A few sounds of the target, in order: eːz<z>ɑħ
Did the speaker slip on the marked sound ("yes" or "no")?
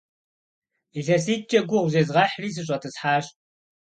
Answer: yes